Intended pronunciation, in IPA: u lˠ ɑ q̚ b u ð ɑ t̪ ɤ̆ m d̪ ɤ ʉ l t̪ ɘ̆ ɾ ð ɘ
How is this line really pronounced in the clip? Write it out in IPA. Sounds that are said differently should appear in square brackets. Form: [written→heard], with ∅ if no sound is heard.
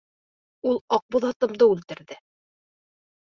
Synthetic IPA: u lˠ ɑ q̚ b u ð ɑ t̪ ɤ̆ m d̪ ɤ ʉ l t̪ ɘ̆ ɾ ð ɘ

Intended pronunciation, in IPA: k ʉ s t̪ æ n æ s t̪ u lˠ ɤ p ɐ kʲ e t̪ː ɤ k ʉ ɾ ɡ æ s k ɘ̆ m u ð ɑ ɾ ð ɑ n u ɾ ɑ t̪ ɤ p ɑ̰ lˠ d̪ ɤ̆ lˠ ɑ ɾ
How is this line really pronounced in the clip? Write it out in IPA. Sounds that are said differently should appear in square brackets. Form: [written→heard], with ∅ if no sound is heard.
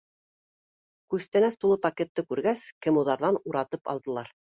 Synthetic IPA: k ʉ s t̪ æ n æ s t̪ u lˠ ɤ p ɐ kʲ e t̪ː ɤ k ʉ ɾ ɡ æ s k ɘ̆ m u ð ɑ ɾ ð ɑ n u ɾ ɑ t̪ ɤ p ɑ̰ lˠ d̪ ɤ̆ lˠ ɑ ɾ

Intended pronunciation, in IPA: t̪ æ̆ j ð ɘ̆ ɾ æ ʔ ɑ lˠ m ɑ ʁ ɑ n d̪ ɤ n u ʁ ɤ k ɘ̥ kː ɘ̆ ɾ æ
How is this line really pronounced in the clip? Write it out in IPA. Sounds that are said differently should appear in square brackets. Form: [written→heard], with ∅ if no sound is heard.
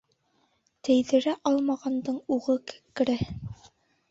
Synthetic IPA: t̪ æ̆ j ð ɘ̆ ɾ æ ʔ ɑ lˠ m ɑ ʁ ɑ n d̪ ɤ [n→ɴ] u ʁ ɤ k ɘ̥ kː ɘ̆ ɾ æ

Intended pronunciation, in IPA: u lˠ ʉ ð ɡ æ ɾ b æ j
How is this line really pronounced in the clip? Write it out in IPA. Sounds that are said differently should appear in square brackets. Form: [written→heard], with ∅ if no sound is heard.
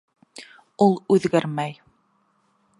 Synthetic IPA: u lˠ ʉ ð ɡ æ ɾ [b→m] æ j

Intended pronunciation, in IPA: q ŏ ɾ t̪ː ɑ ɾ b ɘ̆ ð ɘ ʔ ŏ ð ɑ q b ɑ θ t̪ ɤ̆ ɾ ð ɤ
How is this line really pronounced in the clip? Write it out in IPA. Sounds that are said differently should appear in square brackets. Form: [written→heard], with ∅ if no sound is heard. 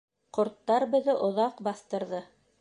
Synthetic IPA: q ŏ ɾ t̪ː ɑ ɾ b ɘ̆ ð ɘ ʔ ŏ ð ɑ q b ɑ θ t̪ ɤ̆ ɾ ð ɤ

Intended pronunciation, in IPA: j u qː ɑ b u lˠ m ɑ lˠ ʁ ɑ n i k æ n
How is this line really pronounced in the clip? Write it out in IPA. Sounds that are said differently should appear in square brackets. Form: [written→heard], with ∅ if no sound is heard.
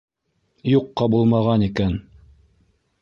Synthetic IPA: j u qː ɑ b u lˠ m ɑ [lˠ→∅] ʁ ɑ n i k æ n

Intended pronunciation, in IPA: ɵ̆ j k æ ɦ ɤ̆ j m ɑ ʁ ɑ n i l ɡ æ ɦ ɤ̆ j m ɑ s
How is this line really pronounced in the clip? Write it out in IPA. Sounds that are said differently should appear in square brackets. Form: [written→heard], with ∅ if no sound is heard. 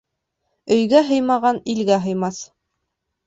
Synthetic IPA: ɵ̆ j [k→ɡ] æ ɦ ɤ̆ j m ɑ ʁ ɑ n i l ɡ æ ɦ ɤ̆ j m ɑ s

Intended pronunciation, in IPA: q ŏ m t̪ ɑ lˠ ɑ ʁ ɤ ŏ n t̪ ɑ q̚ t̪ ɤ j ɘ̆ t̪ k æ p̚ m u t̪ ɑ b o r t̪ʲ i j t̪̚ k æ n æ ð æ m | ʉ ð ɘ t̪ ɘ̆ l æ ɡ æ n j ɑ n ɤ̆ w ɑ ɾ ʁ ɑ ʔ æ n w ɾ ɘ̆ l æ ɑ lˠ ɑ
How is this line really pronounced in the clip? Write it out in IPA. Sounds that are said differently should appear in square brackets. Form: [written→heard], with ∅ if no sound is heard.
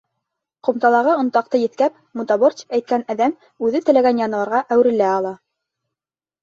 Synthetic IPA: q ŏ m t̪ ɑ lˠ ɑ ʁ ɤ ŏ n t̪ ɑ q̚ t̪ ɤ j ɘ̆ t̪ k æ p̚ m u t̪ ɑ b o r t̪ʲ [i→æ] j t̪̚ k æ n æ ð æ m | ʉ ð ɘ t̪ ɘ̆ l æ ɡ æ n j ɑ n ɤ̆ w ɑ ɾ ʁ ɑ ʔ æ [n→∅] w ɾ ɘ̆ l æ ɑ lˠ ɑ

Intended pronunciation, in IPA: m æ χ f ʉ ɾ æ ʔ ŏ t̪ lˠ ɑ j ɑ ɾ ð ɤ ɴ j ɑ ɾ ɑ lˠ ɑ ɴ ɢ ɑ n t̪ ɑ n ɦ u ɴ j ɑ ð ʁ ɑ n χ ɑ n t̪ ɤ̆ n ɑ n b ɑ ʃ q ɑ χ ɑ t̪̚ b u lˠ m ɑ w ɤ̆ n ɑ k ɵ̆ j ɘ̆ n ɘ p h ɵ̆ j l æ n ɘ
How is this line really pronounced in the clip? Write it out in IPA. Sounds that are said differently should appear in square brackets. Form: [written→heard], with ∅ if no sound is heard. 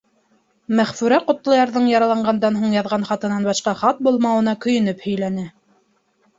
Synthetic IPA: m æ χ f ʉ ɾ æ [ʔ→q] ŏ t̪ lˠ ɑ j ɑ ɾ ð ɤ ɴ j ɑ ɾ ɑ lˠ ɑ ɴ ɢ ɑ n [t̪→d̪] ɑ n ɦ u ɴ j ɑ ð ʁ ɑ n χ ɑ [n→∅] t̪ ɤ̆ n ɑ n b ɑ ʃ q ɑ χ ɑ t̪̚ b u lˠ m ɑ w ɤ̆ n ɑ k ɵ̆ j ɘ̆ n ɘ p h ɵ̆ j l æ n ɘ

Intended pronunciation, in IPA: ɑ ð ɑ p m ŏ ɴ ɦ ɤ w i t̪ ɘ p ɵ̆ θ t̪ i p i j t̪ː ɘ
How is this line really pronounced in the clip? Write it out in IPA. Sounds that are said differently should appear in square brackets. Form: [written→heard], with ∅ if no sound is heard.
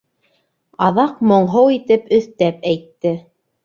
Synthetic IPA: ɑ ð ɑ [p→q] m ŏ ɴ ɦ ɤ w i t̪ ɘ p ɵ̆ θ t̪ [i→æ] p [i→æ] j t̪ː ɘ

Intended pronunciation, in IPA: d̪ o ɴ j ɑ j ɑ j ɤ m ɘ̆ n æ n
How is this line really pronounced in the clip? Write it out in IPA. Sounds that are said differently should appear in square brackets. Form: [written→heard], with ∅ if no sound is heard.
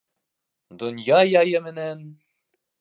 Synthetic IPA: d̪ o [ɴ→n] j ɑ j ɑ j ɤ m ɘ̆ n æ n

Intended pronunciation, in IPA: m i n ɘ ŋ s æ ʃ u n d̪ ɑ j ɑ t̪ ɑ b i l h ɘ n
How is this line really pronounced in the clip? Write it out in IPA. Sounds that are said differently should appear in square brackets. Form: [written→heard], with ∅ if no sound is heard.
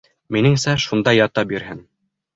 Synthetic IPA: m i n ɘ ŋ s æ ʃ u n d̪ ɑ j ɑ t̪ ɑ b i [l→ɾ] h ɘ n

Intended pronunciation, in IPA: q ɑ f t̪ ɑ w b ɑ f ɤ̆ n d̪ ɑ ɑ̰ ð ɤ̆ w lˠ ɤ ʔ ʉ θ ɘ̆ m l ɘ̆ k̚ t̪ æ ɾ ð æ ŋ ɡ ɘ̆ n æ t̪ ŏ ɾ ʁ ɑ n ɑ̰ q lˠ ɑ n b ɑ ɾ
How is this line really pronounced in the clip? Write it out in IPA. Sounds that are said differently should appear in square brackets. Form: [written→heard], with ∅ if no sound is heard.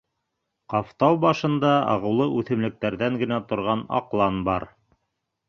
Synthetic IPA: q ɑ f t̪ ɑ w b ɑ [f→ʃ] ɤ̆ n d̪ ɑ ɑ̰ [ð→ʁ] ɤ̆ w lˠ ɤ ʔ ʉ θ ɘ̆ m l ɘ̆ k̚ t̪ æ ɾ ð æ ŋ ɡ ɘ̆ n æ t̪ ŏ ɾ ʁ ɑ n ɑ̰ q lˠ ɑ n b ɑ ɾ

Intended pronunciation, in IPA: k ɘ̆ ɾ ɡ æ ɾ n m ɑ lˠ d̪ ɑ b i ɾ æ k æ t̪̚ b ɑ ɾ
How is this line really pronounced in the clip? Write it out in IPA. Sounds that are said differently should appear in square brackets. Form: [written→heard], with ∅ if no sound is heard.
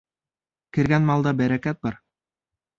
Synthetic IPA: k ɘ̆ ɾ ɡ æ [ɾ→∅] n m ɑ lˠ d̪ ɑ b [i→æ] ɾ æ k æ t̪̚ b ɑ ɾ

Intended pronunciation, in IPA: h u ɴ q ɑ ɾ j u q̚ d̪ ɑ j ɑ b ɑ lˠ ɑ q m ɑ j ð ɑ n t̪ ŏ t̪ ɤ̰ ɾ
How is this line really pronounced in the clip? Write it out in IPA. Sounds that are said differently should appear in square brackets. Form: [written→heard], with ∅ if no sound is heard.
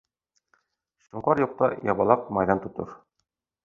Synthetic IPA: [h→ɕ] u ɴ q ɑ ɾ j u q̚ [d̪→t̪] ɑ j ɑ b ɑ lˠ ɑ q m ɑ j ð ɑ n t̪ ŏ t̪ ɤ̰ ɾ

